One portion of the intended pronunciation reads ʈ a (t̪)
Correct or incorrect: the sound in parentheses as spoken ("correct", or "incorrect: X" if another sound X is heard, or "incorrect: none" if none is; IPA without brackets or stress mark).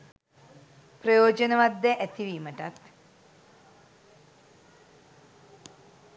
correct